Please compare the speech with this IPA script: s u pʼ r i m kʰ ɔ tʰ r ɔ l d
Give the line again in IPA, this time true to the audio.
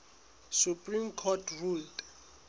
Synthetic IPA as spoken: s u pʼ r i m kʰ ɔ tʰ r u l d

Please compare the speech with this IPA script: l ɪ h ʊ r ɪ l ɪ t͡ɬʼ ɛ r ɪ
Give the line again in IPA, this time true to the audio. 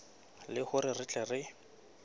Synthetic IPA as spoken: l ɪ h ʊ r ɪ r ɪ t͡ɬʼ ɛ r ɪ

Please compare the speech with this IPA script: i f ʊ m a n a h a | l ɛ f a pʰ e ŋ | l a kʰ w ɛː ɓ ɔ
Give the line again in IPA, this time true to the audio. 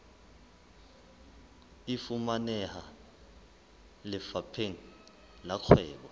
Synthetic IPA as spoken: i f u m a n ɛ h a | l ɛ f a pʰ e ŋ | l a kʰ w ɛː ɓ ɔ

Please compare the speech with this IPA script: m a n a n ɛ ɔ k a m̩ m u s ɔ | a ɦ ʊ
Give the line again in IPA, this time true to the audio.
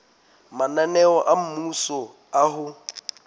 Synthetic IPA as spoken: m a n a n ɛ ɔ ʔ a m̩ m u s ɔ | a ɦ ʊ

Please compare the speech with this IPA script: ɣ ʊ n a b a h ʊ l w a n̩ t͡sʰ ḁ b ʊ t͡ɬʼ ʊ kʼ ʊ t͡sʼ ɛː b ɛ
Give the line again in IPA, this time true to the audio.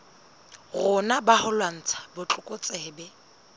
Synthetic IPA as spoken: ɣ ʊ n a b a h ʊ l w a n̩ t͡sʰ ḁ b ʊ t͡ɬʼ ʊ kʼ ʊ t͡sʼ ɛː b ɛ

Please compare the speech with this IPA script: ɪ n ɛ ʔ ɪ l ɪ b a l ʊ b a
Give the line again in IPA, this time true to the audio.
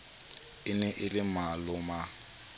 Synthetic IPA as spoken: ɪ n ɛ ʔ ɪ l ɪ m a l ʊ m a

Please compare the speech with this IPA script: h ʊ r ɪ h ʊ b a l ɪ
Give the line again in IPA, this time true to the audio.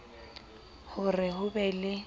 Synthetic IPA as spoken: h ʊ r ɪ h ʊ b ɛ l ɪ

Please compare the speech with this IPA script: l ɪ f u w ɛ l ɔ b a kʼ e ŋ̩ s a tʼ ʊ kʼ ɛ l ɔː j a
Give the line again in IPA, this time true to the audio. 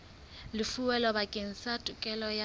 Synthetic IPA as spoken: l ɪ f u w ɛ l ɔ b a kʼ e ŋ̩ s a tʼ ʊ kʼ ɛ l ɔ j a

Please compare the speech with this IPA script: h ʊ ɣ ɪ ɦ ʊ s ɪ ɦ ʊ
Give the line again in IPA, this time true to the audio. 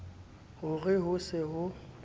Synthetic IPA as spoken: h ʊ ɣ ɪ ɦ ʊ s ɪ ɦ ʊ

